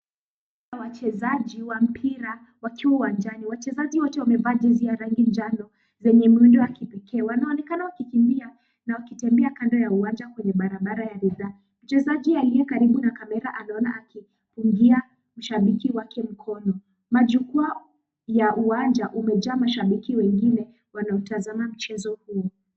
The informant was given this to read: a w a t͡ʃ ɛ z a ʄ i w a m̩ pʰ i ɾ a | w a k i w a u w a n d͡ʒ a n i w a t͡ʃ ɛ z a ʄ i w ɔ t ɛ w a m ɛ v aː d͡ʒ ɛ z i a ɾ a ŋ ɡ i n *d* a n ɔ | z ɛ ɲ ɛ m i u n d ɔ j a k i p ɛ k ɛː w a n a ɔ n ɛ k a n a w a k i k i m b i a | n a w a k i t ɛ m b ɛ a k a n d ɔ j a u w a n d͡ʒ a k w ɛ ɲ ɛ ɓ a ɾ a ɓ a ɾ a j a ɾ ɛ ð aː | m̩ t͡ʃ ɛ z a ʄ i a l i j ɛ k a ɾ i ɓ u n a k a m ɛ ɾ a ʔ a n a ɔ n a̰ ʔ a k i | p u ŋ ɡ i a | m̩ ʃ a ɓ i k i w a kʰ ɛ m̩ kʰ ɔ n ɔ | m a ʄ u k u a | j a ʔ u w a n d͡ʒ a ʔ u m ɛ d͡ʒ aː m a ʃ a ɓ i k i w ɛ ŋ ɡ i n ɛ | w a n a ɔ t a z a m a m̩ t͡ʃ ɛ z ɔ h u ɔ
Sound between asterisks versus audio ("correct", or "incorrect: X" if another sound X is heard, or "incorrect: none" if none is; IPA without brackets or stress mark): incorrect: d͡ʒ